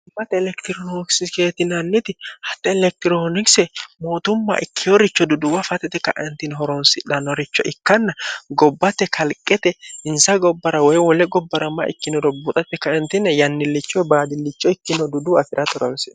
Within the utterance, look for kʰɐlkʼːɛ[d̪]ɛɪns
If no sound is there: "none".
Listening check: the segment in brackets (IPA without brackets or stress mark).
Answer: t̪